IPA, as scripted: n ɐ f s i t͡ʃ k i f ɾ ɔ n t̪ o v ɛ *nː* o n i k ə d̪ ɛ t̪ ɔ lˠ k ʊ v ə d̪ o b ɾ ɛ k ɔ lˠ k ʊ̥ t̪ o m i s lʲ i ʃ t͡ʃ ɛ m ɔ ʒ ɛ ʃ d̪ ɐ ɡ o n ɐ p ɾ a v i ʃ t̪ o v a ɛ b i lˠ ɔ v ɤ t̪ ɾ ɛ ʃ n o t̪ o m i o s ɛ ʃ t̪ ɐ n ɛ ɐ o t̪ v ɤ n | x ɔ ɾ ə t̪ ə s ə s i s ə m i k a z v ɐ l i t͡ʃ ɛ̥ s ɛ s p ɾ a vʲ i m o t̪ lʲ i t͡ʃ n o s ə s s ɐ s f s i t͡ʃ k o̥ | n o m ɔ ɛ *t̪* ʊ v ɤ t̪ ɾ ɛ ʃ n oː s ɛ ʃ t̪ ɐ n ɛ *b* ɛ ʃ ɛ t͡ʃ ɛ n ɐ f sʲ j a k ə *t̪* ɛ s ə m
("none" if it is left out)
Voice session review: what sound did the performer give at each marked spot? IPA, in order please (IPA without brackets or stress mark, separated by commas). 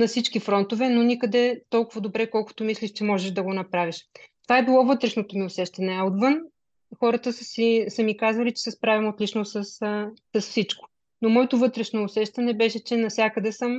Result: n, t̪, b, d̪